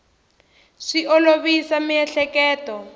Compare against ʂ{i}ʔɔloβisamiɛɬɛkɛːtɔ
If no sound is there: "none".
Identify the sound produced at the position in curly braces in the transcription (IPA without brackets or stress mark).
i